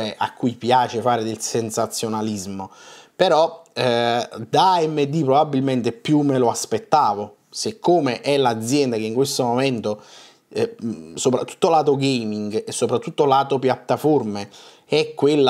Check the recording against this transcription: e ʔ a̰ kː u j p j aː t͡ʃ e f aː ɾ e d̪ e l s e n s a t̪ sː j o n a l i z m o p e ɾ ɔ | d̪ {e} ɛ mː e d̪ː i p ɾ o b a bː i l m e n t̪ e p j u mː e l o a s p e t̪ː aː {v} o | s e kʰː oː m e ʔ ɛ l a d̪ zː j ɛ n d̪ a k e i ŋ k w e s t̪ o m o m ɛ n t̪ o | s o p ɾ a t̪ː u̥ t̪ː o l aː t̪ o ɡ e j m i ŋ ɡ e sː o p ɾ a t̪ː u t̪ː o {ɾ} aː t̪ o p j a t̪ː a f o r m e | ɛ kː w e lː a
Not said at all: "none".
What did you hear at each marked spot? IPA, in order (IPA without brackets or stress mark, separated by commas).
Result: a, v, l